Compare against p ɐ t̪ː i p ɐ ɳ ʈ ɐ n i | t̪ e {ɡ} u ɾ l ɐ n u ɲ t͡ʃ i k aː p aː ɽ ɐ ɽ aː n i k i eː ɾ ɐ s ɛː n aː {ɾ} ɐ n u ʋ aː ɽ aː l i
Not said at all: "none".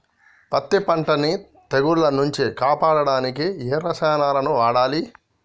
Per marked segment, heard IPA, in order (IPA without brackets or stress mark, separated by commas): ɡ, l